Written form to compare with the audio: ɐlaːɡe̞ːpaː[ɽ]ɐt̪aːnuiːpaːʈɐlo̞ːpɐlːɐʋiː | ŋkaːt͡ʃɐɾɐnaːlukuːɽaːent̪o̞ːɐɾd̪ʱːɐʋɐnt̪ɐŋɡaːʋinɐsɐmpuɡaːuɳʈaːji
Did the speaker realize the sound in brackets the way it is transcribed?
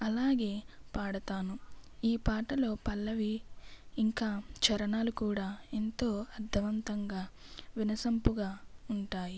yes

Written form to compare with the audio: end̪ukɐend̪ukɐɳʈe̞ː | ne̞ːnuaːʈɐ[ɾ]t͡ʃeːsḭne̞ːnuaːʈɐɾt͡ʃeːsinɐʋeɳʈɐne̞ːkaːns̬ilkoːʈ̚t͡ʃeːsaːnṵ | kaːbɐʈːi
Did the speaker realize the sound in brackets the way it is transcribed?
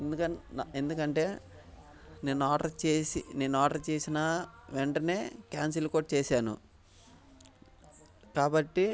yes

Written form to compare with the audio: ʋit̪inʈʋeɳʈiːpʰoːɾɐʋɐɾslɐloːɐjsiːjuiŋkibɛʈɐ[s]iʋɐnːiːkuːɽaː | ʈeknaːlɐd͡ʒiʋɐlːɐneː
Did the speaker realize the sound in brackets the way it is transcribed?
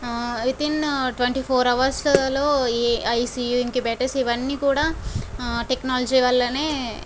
yes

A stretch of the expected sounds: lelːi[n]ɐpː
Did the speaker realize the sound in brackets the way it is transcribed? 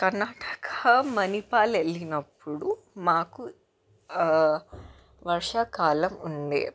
yes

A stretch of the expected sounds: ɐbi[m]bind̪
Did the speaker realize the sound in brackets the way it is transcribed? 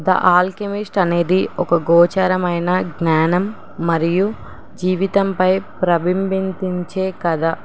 yes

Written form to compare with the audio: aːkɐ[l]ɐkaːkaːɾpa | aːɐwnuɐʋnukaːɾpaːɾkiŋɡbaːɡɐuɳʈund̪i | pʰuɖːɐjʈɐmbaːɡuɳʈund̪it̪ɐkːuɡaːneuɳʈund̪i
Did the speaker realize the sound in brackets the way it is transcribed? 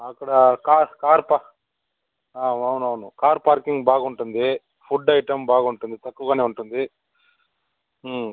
no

